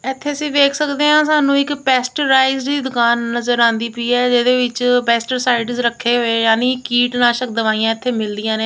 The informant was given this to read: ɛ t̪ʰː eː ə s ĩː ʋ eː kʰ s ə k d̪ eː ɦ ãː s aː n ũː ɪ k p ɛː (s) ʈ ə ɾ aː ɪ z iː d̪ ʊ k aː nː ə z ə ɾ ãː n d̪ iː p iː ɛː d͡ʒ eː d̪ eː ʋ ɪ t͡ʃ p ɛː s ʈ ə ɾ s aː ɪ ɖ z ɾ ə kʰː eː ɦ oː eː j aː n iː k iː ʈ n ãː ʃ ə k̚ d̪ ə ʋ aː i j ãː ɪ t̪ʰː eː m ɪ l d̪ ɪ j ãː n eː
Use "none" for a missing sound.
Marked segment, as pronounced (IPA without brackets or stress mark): s